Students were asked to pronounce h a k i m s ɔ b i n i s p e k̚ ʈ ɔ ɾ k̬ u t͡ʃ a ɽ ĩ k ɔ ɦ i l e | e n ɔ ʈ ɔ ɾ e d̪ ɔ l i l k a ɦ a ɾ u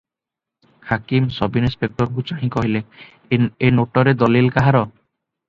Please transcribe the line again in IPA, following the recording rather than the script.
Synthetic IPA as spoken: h a k i m s ɔ b i n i s p e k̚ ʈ ɔ ɾ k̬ u t͡ʃ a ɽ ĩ k ɔ ɦ i l e | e n o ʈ ɔ ɾ e d̪ ɔ l i l k a ɦ a ɾ ɔ